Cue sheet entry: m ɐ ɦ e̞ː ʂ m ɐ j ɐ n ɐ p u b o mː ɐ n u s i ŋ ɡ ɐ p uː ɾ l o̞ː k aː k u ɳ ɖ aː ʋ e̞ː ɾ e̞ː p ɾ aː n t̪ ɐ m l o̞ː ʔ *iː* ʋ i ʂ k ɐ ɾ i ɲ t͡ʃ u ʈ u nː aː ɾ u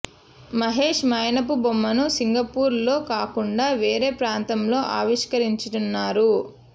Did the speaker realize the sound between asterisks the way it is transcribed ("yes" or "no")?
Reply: no